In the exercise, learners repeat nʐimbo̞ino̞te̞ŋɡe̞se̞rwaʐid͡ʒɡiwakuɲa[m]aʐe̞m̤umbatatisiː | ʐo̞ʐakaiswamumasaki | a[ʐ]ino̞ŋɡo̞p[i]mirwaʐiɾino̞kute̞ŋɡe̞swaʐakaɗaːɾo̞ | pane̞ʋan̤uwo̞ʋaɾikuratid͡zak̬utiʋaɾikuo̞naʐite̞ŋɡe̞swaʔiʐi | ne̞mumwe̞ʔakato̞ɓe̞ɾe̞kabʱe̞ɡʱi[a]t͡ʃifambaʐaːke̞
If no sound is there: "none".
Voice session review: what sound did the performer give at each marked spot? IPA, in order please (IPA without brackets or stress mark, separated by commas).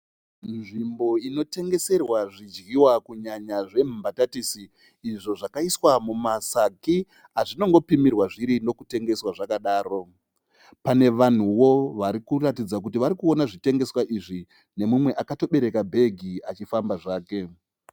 ɲ, ʐ, i, a